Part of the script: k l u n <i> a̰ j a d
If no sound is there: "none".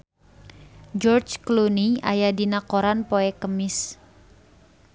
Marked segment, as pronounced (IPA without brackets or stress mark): i